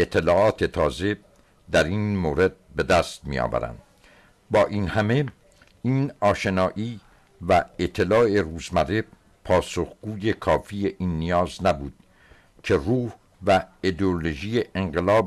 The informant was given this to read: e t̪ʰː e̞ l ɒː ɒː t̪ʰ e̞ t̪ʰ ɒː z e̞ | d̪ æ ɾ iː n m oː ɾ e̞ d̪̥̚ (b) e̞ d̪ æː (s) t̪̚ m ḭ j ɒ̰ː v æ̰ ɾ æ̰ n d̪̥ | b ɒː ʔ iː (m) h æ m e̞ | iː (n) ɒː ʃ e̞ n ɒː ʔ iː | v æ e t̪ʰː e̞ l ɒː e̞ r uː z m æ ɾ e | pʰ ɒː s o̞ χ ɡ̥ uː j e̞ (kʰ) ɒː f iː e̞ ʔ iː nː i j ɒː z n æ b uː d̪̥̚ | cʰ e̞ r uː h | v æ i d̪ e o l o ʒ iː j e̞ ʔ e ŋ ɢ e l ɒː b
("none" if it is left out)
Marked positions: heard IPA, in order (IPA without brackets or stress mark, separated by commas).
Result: b, s, n, n, kʰ